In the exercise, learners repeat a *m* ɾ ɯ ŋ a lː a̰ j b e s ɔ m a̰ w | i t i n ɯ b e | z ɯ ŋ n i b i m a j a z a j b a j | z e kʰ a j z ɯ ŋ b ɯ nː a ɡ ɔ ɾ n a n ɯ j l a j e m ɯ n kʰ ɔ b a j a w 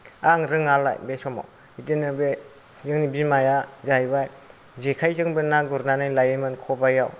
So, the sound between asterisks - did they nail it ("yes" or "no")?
no